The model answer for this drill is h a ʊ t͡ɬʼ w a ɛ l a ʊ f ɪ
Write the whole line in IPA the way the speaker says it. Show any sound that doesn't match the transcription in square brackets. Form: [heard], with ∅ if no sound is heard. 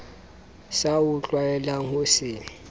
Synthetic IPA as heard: [s] a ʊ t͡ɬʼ w a ɛ l a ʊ [s] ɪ

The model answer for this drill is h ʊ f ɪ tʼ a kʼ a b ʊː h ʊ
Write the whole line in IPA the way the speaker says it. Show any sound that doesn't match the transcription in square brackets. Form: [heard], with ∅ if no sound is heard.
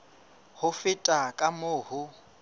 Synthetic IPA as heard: h ʊ f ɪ tʼ a kʼ a [m] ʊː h ʊ

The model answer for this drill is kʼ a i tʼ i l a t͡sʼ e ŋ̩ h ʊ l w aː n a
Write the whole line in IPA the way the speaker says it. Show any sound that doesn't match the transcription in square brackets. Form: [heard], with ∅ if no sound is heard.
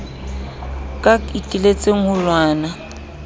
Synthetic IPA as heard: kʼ a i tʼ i l [e] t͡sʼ e ŋ̩ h ʊ l w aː n a

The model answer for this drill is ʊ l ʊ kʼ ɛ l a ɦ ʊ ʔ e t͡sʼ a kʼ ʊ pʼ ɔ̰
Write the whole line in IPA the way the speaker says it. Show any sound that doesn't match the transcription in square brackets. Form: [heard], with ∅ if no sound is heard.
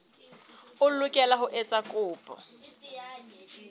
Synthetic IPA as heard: ʊ l ʊ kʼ ɛ l a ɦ ʊ ʔ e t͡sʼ a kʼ [ʊː] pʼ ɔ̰

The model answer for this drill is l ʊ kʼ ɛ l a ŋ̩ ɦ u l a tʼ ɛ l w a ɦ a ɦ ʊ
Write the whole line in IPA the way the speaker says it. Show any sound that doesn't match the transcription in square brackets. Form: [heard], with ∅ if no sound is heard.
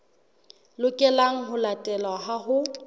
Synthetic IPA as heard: l ʊ kʼ ɛ l a ŋ̩ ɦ [ʊ] l a tʼ ɛ l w a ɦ a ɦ ʊ

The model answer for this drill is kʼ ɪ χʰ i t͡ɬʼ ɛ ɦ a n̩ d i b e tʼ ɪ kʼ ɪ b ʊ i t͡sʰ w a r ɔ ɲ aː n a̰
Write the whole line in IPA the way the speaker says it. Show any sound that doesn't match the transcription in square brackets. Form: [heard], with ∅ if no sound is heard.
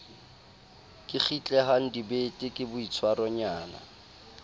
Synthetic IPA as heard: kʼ ɪ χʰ i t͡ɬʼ ɛ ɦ a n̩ d i b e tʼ ɪ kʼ ɪ b ʊ i t͡sʰ w a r ɔ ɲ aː n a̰

